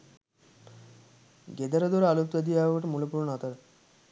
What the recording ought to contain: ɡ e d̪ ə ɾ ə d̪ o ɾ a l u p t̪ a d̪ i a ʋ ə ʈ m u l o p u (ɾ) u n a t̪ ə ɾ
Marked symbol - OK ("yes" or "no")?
yes